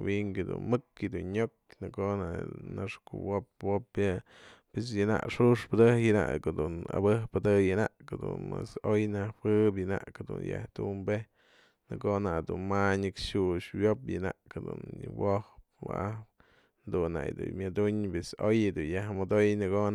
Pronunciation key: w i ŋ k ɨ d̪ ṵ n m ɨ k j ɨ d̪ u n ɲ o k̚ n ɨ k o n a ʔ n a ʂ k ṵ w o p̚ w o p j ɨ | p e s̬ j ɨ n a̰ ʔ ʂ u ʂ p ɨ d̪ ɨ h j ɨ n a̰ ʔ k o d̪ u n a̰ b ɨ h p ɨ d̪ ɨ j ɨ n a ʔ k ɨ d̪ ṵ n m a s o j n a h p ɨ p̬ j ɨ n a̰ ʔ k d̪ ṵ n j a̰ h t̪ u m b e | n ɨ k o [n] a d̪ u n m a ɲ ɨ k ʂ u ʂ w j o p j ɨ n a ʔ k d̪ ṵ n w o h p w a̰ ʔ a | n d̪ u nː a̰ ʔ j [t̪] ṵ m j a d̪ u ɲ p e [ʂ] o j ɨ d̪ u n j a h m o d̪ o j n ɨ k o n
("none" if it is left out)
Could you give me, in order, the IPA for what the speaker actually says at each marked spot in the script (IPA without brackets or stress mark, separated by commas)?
n, d̪, s